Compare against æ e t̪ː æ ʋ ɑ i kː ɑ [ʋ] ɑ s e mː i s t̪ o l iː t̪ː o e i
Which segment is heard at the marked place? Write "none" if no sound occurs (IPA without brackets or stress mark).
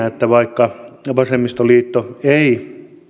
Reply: ʋ